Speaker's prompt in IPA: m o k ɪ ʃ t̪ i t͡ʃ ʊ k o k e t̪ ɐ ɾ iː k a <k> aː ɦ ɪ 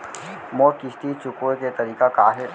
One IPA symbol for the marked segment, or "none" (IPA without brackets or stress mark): k